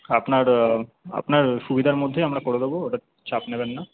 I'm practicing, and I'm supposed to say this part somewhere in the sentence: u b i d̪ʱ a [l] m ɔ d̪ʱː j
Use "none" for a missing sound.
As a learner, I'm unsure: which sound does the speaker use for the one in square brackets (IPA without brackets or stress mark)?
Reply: ɾ